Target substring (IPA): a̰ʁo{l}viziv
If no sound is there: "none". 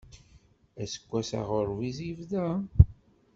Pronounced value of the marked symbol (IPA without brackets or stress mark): ɾ